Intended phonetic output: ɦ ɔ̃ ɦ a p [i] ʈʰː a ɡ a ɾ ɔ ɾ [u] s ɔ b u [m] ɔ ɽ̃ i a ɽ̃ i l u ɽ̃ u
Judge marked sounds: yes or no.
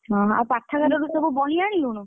no, yes, no

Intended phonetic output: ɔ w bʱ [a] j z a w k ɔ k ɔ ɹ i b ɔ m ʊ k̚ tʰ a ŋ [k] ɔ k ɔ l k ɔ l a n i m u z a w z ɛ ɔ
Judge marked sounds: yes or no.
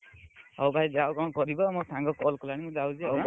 yes, no

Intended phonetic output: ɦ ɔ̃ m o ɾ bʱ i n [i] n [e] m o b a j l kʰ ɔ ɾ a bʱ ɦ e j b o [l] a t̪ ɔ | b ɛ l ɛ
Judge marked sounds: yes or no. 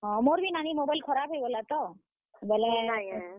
no, no, yes

